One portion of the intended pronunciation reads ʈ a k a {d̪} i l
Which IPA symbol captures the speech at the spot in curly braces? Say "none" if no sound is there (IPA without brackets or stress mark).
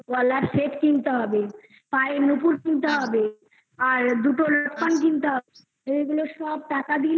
d̪